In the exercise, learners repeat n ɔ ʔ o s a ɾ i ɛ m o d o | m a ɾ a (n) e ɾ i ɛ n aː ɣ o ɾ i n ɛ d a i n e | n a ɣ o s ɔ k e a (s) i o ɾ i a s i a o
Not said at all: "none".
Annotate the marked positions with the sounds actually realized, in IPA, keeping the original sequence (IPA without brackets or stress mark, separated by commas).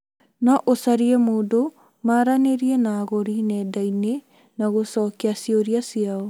n, s